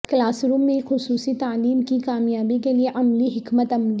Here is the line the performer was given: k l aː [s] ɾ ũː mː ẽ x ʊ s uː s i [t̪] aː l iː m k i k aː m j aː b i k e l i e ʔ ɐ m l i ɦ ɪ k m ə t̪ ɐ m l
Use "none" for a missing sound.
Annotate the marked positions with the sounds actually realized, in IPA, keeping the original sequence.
s, t̪

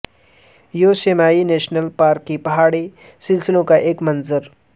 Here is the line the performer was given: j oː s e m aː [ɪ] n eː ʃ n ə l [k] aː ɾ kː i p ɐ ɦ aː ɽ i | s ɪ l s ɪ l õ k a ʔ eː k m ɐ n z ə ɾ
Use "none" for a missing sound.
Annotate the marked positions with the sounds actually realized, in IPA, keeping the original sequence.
i, p

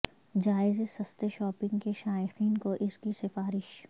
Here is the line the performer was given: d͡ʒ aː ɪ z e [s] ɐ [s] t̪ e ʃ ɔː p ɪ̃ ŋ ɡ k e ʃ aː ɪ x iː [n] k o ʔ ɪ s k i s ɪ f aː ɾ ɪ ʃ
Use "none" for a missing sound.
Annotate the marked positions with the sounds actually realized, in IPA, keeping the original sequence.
s, s, n

